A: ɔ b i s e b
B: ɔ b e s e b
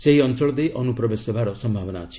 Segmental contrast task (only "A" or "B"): B